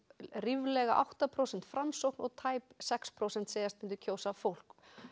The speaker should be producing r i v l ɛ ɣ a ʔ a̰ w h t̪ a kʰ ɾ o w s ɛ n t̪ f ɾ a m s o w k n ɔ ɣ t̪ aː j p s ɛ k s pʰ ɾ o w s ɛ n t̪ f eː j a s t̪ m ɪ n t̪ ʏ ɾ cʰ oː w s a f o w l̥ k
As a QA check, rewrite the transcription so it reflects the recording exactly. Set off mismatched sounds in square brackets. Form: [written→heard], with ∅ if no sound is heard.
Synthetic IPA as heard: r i v l ɛ ɣ a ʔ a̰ w h t̪ a [kʰ→pʰ] ɾ o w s ɛ n t̪ f ɾ a m s o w k n ɔ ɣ [t̪→t̪ʰ] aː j p s ɛ k s pʰ ɾ o w s ɛ n t̪ [f→s] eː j a s t̪ m ɪ n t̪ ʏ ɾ cʰ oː w s a f o w l̥ k